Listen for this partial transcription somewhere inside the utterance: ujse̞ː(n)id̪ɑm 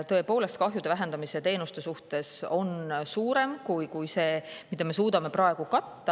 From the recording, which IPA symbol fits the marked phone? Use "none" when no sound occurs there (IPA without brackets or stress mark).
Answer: m